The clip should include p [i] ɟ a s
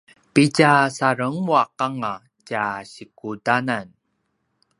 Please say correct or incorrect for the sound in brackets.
correct